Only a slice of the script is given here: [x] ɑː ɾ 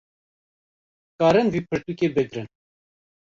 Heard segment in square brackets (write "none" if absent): k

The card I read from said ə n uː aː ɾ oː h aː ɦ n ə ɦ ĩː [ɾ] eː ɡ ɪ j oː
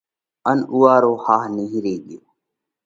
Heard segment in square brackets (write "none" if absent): ɾ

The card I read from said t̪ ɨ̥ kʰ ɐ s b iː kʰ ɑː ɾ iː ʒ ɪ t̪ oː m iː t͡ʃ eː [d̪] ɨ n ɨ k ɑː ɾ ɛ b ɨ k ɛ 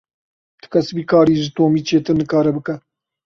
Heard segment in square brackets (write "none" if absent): t̪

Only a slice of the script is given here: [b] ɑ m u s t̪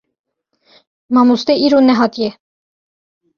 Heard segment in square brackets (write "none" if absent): m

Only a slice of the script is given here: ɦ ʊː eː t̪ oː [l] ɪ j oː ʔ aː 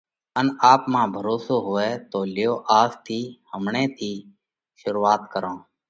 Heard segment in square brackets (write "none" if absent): l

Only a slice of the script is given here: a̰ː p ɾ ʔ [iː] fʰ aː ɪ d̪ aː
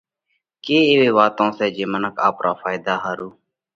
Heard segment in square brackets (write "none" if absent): aː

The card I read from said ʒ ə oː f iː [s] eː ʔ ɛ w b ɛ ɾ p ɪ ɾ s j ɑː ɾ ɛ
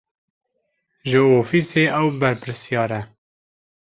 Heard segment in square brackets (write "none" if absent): s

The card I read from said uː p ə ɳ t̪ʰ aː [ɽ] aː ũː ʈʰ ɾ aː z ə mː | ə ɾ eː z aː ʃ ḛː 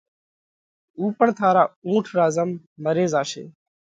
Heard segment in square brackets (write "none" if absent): ɾ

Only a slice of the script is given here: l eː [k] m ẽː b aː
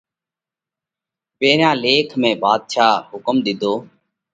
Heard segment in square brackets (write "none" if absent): kʰ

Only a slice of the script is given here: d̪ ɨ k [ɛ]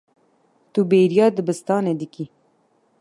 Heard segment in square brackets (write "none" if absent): i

